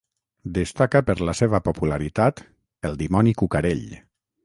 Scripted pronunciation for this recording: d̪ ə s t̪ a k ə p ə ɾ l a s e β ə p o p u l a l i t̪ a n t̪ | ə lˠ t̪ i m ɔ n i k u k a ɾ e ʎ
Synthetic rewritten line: d̪ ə s t̪ a k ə p ə ɾ l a s e β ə p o p u l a ɾ i t̪ a t̪ | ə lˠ d̪ i m ɔ n i k u k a ɾ e ʎ